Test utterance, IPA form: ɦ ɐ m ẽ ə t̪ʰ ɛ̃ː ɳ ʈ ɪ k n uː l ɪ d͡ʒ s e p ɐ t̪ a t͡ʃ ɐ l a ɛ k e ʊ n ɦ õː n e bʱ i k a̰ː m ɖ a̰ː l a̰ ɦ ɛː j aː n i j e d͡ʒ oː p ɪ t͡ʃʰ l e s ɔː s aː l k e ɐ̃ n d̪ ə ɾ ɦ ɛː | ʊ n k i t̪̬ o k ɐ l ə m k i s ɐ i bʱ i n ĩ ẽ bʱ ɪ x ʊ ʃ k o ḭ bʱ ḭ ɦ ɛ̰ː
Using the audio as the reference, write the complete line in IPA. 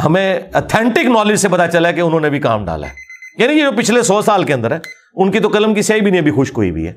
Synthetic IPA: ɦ ɐ m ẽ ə t̪ʰ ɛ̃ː ɳ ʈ ɪ k n ɔː l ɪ d͡ʒ s e p ɐ t̪ a t͡ʃ ɐ l a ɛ k e ʊ n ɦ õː n e bʱ i k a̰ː m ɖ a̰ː l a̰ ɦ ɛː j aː n i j e d͡ʒ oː p ɪ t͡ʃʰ l e s ɔː s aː l k e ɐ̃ n d̪ ə ɾ ɦ ɛː | ʊ n k i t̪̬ o k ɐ l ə m k i s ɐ i bʱ i n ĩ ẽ bʱ i x ʊ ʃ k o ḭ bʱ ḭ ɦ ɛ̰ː